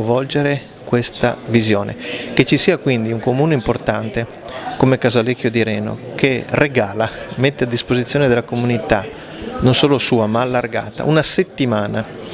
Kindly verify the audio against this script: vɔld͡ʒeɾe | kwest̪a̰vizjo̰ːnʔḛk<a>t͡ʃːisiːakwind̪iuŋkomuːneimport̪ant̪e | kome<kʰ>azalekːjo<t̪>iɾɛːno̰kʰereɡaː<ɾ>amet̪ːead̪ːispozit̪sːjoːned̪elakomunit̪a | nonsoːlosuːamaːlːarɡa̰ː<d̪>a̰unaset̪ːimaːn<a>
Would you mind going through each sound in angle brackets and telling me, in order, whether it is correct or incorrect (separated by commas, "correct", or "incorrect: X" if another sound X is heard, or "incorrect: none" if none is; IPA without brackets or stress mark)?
incorrect: e, incorrect: k, incorrect: d̪, incorrect: l, incorrect: t̪, correct